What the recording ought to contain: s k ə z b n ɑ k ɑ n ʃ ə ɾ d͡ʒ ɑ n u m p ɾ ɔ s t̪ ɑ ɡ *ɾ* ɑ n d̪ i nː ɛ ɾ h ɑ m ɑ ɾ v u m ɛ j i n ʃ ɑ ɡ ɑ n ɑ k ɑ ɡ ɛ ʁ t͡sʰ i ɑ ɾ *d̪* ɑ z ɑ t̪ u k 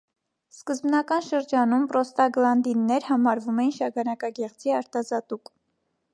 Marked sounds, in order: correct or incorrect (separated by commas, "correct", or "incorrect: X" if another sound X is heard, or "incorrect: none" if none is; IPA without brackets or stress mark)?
incorrect: l, incorrect: t̪